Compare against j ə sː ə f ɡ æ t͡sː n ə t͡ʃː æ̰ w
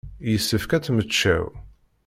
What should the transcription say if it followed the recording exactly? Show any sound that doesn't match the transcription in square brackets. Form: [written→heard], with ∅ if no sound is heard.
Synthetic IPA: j ə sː ə f [ɡ→k] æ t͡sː [n→m] ə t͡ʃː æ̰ w